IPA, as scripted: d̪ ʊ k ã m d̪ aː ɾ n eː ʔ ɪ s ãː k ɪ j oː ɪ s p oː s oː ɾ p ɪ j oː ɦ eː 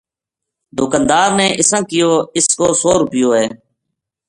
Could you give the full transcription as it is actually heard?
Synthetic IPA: d̪ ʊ k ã n d̪ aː ɾ n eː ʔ ɪ s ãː k ɪ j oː ɪ s k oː s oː ɾ p ɪ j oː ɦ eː